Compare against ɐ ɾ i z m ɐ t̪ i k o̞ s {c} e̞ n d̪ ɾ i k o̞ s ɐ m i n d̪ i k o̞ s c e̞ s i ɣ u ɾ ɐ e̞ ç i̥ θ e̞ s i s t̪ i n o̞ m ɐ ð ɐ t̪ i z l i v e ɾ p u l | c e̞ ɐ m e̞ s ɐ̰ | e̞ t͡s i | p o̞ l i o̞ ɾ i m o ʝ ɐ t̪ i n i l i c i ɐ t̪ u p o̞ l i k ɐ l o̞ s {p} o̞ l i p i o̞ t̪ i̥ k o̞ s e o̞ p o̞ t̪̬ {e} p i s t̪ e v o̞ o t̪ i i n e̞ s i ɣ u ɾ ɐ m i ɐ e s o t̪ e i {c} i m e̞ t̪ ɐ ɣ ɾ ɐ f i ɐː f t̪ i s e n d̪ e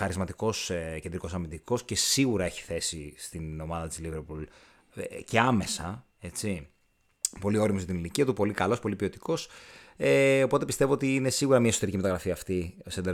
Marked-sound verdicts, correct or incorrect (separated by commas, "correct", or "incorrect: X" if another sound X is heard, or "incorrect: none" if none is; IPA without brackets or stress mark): correct, correct, correct, correct